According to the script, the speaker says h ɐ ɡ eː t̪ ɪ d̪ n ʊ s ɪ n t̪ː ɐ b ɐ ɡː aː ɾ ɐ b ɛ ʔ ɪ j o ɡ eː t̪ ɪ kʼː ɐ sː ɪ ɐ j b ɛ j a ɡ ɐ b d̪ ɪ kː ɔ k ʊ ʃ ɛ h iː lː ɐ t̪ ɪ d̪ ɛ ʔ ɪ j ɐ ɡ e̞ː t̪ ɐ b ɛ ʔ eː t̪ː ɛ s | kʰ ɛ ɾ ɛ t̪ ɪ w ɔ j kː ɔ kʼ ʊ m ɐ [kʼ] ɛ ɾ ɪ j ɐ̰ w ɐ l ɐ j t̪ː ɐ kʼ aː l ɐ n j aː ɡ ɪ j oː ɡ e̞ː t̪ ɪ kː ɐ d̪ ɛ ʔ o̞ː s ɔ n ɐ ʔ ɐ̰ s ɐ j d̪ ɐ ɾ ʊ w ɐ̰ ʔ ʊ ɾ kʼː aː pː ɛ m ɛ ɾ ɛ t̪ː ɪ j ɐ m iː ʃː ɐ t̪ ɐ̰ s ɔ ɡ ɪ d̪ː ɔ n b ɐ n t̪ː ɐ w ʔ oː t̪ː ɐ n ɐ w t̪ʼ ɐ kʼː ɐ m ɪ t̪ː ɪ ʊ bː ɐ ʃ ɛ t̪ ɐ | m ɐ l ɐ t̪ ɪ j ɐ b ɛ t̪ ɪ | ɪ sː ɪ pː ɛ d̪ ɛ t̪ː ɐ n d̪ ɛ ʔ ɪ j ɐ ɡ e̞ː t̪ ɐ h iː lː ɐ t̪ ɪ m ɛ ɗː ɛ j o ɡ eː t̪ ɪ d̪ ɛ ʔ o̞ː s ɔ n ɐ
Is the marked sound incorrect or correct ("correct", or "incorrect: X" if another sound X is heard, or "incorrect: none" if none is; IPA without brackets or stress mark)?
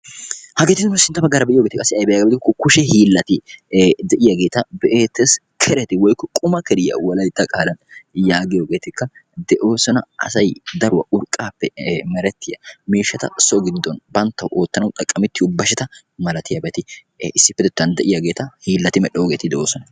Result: incorrect: k